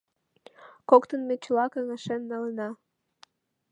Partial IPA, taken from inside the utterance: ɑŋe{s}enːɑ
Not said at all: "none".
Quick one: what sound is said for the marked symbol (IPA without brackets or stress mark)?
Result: ʃ